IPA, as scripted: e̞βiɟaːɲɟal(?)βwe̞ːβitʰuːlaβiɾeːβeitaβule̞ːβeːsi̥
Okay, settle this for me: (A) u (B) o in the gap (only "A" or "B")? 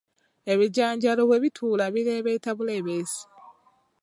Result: B